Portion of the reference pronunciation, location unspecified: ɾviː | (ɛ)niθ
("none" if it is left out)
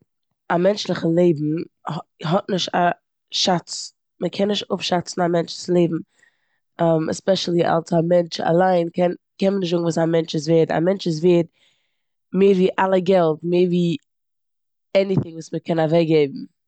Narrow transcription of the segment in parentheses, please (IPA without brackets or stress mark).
ɛ